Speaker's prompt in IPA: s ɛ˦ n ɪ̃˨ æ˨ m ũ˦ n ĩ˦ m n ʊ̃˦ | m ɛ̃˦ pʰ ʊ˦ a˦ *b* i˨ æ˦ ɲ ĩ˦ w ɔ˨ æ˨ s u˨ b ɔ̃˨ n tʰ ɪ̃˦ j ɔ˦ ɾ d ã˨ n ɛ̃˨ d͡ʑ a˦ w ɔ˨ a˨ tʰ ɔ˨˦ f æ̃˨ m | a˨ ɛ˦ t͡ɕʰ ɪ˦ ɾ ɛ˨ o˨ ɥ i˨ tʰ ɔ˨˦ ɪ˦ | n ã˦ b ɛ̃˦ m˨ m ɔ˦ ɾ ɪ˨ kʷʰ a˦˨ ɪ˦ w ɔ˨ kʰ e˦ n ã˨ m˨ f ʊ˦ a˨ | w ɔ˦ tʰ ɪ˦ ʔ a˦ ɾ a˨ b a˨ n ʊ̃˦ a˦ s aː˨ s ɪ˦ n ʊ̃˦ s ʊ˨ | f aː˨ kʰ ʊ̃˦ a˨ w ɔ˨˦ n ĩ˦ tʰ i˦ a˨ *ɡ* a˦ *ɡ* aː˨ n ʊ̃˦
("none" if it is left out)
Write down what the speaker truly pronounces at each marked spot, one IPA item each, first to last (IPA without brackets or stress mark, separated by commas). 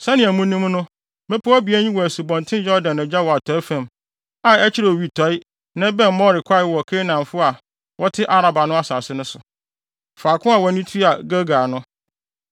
b, ɡ, ɡ